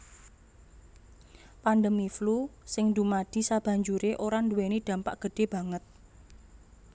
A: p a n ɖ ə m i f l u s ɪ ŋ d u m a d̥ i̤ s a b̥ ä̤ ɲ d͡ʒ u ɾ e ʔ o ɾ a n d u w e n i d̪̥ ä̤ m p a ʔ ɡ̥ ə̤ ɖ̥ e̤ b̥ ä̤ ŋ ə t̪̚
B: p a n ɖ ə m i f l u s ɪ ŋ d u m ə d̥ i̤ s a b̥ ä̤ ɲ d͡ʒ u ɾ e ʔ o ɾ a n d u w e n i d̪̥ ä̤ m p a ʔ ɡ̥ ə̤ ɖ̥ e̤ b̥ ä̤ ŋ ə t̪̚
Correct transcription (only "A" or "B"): A